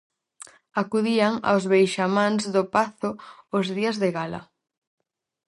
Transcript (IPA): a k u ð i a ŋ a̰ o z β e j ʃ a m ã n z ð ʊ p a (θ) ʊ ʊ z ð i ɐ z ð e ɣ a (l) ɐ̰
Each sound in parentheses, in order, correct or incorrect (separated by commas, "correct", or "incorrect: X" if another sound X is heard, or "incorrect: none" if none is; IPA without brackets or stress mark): correct, correct